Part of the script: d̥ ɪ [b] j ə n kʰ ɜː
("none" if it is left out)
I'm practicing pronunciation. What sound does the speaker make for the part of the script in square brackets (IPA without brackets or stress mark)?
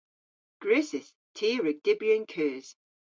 b